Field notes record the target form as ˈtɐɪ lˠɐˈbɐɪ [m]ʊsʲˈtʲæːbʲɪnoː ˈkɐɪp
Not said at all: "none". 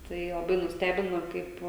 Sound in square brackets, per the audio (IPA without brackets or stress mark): n